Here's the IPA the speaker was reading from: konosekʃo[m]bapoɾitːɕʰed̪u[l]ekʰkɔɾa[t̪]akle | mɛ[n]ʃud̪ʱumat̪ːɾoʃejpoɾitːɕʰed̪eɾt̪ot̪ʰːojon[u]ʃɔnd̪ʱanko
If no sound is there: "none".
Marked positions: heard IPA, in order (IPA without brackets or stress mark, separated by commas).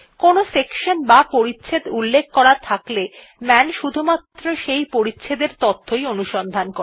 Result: n, lː, t̪ʰ, n, u